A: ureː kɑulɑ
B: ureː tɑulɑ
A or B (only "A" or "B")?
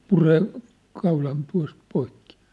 A